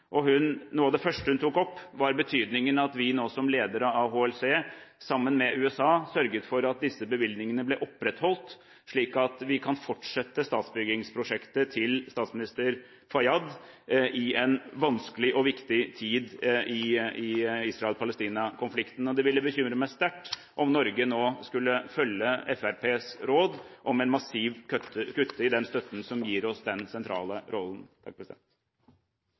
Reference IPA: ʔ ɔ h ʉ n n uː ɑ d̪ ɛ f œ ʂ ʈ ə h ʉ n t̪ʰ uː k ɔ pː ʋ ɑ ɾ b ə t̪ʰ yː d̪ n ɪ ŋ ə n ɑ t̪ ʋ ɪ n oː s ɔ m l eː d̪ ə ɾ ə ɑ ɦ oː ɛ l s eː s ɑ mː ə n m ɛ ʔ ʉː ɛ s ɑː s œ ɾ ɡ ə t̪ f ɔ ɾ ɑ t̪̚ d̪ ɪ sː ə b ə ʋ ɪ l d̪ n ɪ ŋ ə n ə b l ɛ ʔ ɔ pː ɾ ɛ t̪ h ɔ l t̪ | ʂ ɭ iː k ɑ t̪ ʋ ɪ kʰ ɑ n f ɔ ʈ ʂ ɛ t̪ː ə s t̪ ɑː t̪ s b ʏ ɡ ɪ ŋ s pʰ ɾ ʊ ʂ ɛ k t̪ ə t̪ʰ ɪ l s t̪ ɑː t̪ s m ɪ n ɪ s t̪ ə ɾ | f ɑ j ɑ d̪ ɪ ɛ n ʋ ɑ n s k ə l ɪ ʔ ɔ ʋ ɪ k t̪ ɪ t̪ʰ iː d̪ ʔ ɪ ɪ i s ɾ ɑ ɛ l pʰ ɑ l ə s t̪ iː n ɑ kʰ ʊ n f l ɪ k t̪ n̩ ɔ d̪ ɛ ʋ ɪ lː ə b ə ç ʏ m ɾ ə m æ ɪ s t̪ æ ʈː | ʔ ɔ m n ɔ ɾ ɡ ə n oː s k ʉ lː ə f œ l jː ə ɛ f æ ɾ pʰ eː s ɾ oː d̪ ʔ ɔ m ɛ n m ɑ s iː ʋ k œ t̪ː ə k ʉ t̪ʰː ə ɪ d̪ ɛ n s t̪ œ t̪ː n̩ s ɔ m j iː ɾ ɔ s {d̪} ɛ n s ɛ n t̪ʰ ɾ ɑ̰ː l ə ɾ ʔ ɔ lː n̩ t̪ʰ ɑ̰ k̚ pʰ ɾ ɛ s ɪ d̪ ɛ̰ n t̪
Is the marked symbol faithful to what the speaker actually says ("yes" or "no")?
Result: yes